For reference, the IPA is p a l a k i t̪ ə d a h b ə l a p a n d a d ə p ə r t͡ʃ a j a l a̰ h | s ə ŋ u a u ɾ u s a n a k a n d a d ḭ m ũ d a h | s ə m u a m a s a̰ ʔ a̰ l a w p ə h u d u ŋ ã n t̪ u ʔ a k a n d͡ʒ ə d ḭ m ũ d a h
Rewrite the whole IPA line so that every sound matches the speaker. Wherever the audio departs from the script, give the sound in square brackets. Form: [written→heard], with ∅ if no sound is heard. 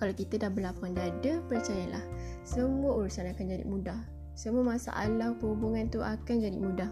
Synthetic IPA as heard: [p→k] a l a k i t̪ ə d a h b ə l a p a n d a d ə p ə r t͡ʃ a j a l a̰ h | s ə [ŋ→m] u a u ɾ u s a n a k a n [d→d͡ʒ] a d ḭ m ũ d a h | s ə m u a m a s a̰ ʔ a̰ l a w p ə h u [d→b] u ŋ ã n t̪ u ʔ a k a n d͡ʒ [ə→a] d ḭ m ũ d a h